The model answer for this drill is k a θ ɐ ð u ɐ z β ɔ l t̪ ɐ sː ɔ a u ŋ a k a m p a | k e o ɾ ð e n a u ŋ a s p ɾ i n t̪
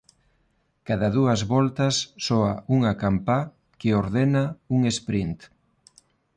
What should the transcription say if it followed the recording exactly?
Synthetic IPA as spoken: k a ð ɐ ð u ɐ z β ɔ l t̪ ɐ sː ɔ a u ŋ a k a m p a | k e o ɾ ð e n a u ŋ e s p ɾ i n t̪